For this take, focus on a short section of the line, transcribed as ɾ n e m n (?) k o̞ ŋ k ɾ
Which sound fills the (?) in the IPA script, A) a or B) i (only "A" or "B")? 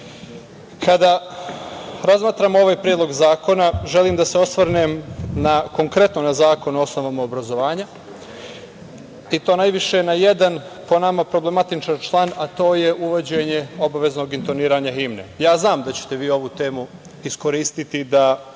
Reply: A